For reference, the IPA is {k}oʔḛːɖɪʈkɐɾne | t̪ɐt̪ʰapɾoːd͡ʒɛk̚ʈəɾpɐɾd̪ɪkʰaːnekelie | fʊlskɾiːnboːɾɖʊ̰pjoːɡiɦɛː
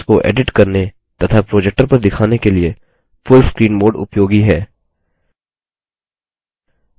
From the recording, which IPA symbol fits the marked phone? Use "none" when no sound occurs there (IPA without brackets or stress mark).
k